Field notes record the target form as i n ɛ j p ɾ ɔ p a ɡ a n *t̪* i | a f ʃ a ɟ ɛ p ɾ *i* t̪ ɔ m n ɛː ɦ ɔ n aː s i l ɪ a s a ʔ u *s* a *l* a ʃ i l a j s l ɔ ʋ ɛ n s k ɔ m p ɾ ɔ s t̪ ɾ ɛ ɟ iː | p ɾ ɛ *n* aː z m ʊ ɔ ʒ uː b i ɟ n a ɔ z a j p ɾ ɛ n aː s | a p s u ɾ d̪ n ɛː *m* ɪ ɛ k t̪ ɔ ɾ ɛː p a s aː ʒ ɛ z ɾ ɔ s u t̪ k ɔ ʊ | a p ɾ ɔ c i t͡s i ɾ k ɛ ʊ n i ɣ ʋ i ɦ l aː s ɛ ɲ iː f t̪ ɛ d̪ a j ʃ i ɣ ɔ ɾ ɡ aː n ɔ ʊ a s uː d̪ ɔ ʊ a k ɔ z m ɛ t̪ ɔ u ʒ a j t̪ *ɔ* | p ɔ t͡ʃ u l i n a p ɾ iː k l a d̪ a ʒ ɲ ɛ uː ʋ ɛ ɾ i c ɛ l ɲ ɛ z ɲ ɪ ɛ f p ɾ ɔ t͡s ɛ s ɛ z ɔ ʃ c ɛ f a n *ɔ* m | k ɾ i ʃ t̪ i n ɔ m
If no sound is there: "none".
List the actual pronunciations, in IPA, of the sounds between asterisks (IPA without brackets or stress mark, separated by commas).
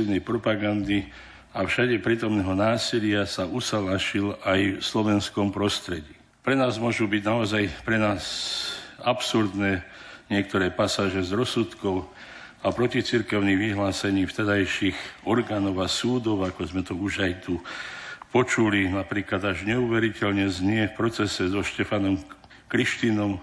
d̪, iː, s, l, n, ɲ, u, ɔ